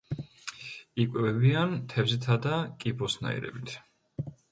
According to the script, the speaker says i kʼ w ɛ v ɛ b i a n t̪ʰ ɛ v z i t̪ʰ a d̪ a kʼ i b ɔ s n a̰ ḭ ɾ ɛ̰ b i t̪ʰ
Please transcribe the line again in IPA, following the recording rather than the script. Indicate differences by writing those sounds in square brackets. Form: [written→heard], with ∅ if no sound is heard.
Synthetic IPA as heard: i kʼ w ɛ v ɛ b i a n t̪ʰ ɛ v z i t̪ʰ a d̪ a kʼ i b ɔ s n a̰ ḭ ɾ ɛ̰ b i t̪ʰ